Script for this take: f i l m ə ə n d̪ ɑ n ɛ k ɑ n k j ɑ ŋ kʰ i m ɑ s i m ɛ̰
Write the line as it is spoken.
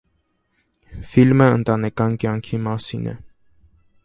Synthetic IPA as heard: f i l m ə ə n t̪ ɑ n ɛ k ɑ n k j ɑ ŋ kʰ i m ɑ s i n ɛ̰